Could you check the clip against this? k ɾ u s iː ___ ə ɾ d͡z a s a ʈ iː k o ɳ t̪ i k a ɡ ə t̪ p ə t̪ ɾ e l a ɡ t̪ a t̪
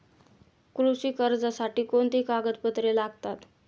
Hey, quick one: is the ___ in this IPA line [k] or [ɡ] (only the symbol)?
k